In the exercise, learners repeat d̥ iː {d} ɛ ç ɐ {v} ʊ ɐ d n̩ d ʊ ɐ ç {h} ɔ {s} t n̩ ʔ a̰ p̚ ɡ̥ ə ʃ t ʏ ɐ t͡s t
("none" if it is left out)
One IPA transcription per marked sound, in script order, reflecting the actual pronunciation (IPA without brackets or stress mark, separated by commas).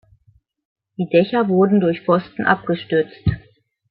d, v, f, s